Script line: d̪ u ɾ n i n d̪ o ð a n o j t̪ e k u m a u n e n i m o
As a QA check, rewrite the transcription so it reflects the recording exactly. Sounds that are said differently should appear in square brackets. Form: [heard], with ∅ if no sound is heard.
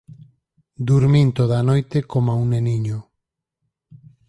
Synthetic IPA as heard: d̪ u ɾ [m] i n [t̪] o ð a n o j t̪ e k [o] m a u n e n i [ɲ] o

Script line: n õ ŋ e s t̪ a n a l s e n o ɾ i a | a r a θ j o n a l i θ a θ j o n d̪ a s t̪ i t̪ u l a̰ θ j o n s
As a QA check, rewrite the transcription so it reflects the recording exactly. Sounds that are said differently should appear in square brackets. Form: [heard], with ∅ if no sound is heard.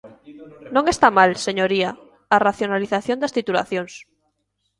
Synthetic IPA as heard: n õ ŋ e s t̪ a [m] a l s e [ɲ] o ɾ i a | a r a θ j o n a l i θ a θ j o n d̪ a s t̪ i t̪ u l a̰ θ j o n s

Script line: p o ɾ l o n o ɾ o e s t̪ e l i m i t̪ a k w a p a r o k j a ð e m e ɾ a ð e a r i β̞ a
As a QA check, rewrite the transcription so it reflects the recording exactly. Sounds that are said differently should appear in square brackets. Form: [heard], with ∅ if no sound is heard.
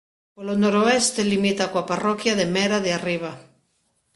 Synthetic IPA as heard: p o [∅] l o n o ɾ o e s t̪ e l i m i t̪ a k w a p a r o k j a ð e m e ɾ a ð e a r i β̞ a

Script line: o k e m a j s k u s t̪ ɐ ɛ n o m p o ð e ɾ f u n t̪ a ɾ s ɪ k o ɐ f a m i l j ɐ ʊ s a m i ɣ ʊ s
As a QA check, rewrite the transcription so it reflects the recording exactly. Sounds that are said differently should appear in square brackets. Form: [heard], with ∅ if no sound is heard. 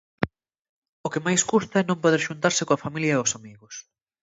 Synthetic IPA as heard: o k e m a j s k u s t̪ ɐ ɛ n [õ] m p o ð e ɾ [ʃ] u n t̪ a ɾ s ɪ k o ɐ f a m i l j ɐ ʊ s a m i ɣ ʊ s

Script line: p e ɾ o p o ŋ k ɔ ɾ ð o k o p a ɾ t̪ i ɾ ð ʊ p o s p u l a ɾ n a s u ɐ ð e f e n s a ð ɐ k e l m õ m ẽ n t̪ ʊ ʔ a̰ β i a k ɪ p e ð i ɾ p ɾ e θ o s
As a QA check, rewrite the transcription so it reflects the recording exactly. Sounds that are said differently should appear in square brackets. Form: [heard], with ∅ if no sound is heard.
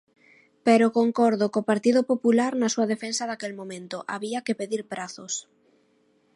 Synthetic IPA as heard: p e ɾ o [k] o ŋ k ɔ ɾ ð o k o p a ɾ t̪ i [∅] ð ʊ p o [∅] p u l a ɾ n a s u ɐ ð e f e n s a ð [a] k e l m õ m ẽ n t̪ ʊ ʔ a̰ β i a k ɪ p e ð i ɾ p ɾ [a] θ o s

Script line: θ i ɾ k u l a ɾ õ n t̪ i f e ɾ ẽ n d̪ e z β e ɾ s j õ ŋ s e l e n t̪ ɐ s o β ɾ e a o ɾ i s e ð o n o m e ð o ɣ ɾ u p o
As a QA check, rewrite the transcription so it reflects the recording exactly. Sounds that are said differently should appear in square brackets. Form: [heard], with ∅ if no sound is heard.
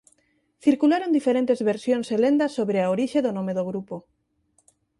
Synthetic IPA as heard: θ i ɾ k u l a ɾ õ n [d̪] i f e ɾ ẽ n [t̪] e z β e ɾ s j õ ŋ s e l e n [d̪] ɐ s o β ɾ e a o ɾ i [ʃ] e ð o n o m e ð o ɣ ɾ u p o

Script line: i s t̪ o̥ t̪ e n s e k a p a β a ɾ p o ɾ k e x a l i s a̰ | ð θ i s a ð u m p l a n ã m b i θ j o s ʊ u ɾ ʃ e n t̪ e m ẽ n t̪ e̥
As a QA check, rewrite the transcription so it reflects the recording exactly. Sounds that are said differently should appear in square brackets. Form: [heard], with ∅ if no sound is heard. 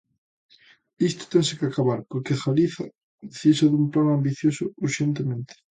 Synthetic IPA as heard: i s t̪ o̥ t̪ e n s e k a [k] a β a ɾ p o ɾ k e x a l i [θ] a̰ | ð θ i s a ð u m p l a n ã m b i θ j o s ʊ u ɾ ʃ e n t̪ e m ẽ n t̪ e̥

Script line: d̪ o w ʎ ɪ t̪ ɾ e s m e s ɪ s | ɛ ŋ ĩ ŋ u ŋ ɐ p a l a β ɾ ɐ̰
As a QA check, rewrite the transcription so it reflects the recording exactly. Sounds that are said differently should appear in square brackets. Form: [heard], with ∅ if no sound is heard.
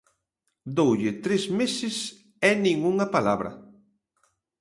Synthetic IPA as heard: d̪ o w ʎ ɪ t̪ ɾ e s m e s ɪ s | ɛ [n] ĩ ŋ u ŋ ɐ p a l a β ɾ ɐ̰

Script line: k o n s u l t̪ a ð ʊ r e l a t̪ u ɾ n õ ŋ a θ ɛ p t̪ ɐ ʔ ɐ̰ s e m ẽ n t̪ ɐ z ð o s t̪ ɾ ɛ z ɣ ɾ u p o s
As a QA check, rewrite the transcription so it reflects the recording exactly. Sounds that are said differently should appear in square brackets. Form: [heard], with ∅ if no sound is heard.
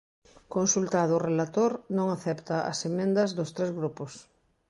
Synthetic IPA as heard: k o n s u l t̪ a ð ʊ r e l a t̪ [o] ɾ n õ ŋ a θ ɛ p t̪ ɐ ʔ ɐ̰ s e m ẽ n [d̪] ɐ z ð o s t̪ ɾ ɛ z ɣ ɾ u p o s

